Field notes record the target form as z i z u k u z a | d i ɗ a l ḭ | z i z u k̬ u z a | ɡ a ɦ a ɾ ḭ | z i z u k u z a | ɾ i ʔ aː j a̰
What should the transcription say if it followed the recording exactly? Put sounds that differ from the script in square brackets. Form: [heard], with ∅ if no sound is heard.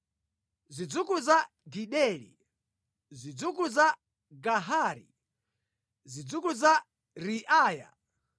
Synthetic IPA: z i [d͡z] u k u z a | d i ɗ [ɛ] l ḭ | z i [d͡z] u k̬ u z a | ɡ a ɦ a ɾ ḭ | z i [d͡z] u k u z a | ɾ i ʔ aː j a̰